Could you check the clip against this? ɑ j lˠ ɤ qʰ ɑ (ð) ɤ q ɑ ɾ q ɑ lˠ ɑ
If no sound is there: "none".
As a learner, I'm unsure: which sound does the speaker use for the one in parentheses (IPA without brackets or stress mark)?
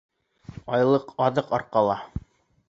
ð